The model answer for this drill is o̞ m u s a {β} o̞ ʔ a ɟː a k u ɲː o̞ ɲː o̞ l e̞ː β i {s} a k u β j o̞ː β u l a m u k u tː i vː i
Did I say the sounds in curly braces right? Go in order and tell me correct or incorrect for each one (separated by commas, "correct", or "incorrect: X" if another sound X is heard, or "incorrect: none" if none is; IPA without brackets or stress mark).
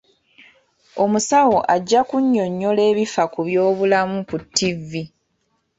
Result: incorrect: w, incorrect: f